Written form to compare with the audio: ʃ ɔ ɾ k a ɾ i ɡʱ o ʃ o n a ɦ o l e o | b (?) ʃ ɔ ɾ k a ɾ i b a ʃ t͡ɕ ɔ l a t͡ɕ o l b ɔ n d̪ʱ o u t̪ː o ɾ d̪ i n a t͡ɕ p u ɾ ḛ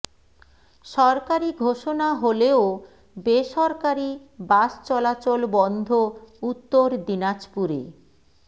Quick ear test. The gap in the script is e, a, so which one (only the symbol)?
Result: e